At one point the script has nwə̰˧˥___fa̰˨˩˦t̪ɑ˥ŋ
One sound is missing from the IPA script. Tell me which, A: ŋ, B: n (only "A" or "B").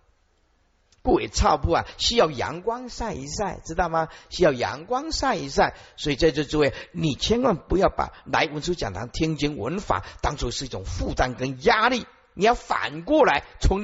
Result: B